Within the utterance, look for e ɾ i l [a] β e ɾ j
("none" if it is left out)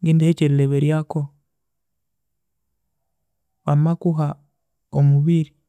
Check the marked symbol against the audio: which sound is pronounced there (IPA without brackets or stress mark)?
e